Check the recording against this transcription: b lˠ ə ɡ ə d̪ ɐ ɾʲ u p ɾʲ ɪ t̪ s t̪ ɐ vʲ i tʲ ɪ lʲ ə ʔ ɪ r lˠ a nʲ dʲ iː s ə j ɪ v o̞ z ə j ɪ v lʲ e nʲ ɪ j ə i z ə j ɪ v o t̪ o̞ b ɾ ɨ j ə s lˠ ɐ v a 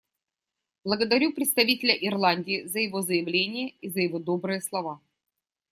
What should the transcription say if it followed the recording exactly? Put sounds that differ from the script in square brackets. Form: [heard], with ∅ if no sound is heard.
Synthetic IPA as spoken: b lˠ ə ɡ ə d̪ ɐ ɾʲ u p ɾʲ ɪ t̪ s t̪ ɐ vʲ i tʲ ɪ lʲ ə ʔ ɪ r lˠ a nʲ dʲ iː [z] ə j ɪ v o̞ z ə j ɪ v lʲ e nʲ ɪ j ə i z ə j ɪ v o [d̪] o̞ b ɾ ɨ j ə s lˠ ɐ v a